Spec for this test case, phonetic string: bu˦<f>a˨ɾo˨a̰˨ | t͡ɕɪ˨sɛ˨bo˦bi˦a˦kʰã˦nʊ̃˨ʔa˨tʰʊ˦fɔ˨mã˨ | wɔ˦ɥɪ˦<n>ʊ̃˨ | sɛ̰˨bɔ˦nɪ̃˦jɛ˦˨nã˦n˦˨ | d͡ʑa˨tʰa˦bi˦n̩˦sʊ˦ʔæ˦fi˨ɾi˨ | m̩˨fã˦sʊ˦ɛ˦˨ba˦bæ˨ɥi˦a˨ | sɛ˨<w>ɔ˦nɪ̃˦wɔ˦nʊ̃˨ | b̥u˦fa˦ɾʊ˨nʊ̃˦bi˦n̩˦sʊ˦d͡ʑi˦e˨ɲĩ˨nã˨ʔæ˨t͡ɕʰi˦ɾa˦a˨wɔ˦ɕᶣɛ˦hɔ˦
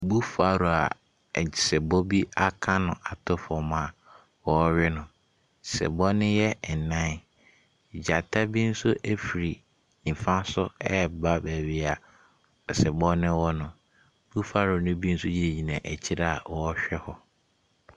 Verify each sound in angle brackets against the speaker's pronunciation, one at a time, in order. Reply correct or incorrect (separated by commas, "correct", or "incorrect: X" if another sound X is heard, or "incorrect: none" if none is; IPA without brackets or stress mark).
correct, correct, incorrect: b